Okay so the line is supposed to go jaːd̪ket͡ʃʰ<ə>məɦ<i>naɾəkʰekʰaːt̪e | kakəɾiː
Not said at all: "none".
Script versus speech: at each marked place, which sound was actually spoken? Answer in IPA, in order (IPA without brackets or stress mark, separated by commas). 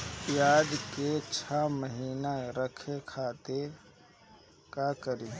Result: a, iː